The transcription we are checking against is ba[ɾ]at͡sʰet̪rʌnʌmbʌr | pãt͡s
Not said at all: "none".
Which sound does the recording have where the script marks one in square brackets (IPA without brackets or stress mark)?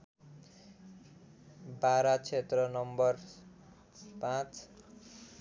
ɾ